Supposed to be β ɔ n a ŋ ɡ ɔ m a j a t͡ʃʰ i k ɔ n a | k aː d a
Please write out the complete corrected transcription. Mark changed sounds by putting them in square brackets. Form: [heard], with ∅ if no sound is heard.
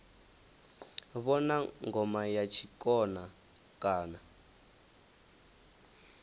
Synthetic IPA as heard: β ɔ n a ŋ ɡ ɔ m a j a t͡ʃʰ i k ɔ n a | k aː [n] a